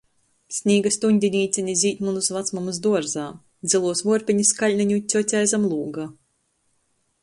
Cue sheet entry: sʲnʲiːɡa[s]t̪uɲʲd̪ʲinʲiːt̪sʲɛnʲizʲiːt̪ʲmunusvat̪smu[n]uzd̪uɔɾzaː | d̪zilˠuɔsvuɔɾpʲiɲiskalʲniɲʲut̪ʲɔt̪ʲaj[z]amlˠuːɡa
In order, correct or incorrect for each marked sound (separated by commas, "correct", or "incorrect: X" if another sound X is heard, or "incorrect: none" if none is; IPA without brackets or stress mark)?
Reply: correct, incorrect: m, correct